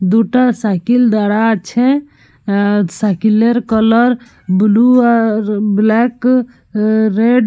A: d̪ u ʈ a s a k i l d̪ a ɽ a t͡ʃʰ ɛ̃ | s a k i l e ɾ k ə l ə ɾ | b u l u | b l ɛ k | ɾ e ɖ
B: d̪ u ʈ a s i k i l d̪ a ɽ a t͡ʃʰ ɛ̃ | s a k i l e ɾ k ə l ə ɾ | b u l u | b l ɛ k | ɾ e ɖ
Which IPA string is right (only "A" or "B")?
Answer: A